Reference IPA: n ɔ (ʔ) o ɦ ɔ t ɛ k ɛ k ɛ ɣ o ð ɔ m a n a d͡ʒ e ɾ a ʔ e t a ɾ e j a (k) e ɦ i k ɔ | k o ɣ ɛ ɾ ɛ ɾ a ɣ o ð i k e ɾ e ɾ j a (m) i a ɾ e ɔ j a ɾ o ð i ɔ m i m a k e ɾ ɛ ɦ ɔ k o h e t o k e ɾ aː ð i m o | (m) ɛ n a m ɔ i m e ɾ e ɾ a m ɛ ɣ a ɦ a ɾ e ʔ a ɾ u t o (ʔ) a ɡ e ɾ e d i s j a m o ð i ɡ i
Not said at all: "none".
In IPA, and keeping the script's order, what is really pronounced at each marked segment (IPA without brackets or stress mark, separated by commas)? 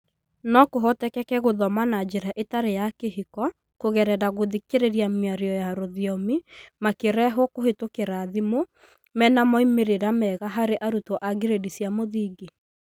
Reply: k, k, m, m, ʔ